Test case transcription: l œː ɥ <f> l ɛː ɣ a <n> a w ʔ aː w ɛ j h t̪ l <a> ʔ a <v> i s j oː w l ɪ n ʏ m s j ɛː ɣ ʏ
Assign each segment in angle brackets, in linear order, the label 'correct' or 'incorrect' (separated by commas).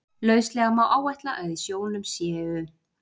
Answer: incorrect, incorrect, correct, incorrect